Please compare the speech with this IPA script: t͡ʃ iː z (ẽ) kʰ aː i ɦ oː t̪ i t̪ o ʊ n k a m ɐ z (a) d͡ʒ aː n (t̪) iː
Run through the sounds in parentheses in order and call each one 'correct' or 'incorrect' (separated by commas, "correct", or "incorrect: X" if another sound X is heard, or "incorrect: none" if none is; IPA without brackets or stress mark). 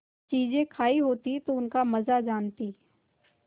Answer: correct, correct, correct